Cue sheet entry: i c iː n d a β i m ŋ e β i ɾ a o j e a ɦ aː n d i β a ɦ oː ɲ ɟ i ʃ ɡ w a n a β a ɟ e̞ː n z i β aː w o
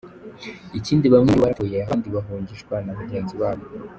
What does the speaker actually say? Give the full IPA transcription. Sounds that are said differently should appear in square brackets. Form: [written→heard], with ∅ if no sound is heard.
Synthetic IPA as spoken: i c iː n d [a→i] β [i→a] m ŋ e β [i→a] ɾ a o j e a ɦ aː n d i β a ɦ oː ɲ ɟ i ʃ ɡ w a n a β a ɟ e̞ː n z i β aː [w→β] o